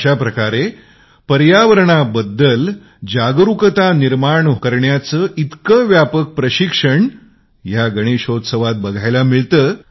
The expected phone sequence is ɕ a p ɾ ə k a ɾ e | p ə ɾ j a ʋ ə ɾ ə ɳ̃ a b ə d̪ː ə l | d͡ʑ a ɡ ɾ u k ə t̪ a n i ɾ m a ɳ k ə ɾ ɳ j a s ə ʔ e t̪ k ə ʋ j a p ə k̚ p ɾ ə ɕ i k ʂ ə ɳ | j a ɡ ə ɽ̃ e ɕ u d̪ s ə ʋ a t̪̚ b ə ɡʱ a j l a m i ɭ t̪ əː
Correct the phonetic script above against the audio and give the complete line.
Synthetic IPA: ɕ a p ɾ ə k a ɾ e | p ə ɾ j a ʋ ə ɾ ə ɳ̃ a b ə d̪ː ə l | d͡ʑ a ɡ ɾ u k ə t̪ a n i ɾ m a ɳ k ə ɾ ɳ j a t͡s ə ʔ i t̪ k ə ʋ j a p ə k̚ p ɾ ə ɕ i k ʂ ə ɳ | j a ɡ ə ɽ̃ e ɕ o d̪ s ə ʋ a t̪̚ b ə ɡʱ a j l a m i ɭ t̪ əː